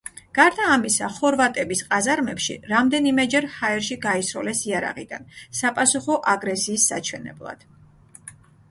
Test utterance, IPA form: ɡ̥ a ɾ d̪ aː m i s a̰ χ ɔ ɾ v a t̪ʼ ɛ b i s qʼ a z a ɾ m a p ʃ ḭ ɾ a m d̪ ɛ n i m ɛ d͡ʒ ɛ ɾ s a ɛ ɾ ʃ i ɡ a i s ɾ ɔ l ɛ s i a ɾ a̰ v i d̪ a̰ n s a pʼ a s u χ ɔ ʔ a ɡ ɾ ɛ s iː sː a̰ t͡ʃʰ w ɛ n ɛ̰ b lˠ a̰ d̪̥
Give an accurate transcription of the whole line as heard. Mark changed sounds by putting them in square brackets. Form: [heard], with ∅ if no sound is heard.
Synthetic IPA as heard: ɡ̥ a ɾ d̪ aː m i s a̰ χ ɔ ɾ v a t̪ʼ ɛ b i s qʼ a z a ɾ m [ɛ] p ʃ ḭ ɾ a m d̪ ɛ n i m ɛ d͡ʒ ɛ ɾ [h] a ɛ ɾ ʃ i ɡ a i s ɾ ɔ l ɛ s i a ɾ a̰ [ʁ] i d̪ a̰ n s a pʼ a s u χ ɔ ʔ a ɡ ɾ ɛ s iː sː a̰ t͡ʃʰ w ɛ n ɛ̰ b lˠ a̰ d̪̥